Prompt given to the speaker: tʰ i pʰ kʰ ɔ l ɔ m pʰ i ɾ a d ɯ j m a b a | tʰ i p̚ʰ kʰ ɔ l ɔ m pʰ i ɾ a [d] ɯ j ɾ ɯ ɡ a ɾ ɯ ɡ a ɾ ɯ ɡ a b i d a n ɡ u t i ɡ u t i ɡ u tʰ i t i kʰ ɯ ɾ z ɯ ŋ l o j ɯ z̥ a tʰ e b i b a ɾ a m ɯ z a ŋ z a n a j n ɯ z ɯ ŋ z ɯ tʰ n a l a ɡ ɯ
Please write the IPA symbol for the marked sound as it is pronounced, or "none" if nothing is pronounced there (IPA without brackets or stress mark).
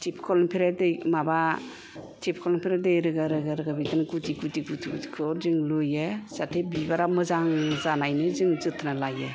d